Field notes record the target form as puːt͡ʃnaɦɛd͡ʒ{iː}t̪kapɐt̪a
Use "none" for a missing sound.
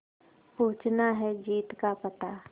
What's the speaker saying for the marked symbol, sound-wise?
iː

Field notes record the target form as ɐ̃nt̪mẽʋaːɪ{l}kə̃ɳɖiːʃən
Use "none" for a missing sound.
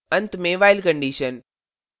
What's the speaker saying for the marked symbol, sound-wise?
l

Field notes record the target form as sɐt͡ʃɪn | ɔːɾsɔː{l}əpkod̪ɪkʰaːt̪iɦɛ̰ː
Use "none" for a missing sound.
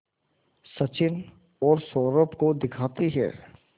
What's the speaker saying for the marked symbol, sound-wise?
ɾ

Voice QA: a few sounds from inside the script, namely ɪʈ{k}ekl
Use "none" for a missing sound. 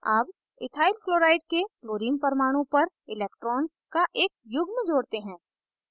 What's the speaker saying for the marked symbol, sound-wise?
k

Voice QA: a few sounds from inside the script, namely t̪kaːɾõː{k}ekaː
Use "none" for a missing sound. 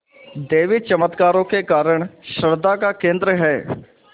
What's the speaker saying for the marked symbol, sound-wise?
k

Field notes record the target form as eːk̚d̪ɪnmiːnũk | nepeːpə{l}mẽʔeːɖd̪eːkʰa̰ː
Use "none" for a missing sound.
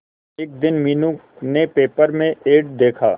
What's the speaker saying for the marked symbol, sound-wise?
ɾ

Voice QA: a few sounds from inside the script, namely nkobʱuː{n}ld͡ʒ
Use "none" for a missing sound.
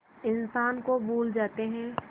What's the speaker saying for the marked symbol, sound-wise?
none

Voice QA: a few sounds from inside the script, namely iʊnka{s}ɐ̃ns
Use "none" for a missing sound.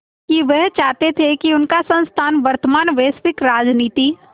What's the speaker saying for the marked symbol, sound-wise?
s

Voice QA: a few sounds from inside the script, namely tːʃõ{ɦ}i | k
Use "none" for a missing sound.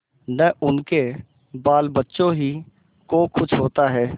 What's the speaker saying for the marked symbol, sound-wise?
ɦ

